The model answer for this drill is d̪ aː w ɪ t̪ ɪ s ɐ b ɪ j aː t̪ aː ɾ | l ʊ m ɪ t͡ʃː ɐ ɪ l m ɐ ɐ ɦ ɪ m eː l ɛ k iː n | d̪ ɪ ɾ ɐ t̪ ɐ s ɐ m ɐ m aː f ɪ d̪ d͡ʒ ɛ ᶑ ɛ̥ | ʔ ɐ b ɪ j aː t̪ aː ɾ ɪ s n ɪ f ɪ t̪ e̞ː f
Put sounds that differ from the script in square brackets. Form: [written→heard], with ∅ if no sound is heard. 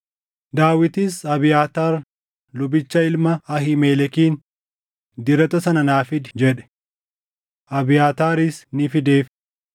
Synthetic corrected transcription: d̪ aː w ɪ t̪ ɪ s ɐ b ɪ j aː t̪ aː ɾ | l ʊ [m→b] ɪ t͡ʃː ɐ ɪ l m ɐ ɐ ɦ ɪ m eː l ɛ k iː n | d̪ ɪ ɾ ɐ t̪ ɐ s ɐ [m→n] ɐ [m→n] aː f ɪ d̪ d͡ʒ ɛ ᶑ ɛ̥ | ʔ ɐ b ɪ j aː t̪ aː ɾ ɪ s n ɪ f ɪ [t̪→d̪] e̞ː f